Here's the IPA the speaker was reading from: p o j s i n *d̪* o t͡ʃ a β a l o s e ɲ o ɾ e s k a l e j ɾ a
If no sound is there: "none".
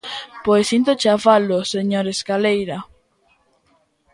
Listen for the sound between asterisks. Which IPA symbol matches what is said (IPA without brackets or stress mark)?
t̪